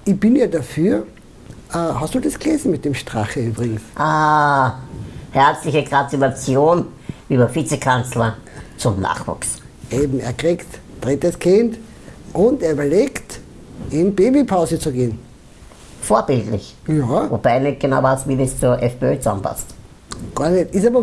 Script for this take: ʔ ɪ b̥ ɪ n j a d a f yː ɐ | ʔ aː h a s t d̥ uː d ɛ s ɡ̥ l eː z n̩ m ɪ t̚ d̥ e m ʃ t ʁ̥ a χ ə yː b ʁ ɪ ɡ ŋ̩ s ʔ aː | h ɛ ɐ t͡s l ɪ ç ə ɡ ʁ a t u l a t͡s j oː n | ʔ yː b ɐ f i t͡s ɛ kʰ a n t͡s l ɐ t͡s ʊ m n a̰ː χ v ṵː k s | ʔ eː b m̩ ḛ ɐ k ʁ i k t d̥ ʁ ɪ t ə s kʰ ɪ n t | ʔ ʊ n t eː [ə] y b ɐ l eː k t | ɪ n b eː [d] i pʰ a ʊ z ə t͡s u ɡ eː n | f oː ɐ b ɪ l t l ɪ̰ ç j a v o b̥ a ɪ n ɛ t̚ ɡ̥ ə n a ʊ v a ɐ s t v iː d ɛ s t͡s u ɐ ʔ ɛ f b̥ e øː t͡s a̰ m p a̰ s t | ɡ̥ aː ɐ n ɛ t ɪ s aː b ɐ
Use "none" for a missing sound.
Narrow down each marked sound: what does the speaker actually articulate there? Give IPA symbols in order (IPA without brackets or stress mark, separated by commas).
ɐ, b